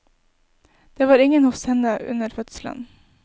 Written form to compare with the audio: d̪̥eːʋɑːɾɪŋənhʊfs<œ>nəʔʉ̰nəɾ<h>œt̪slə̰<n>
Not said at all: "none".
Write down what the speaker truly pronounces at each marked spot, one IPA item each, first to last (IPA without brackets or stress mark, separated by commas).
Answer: ɛ, f, n